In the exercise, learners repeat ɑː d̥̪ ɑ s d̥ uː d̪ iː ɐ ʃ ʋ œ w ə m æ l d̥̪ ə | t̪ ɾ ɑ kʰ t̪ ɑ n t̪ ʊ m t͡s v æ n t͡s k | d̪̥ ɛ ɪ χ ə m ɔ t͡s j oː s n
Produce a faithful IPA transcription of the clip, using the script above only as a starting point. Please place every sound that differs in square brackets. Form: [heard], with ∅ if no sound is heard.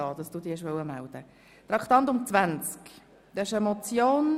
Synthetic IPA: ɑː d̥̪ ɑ s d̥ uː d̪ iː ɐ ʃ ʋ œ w ə m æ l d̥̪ ə | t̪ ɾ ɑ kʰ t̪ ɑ n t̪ ʊ m t͡s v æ n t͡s k | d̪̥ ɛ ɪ [ʃ] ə m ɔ t͡s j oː [∅] n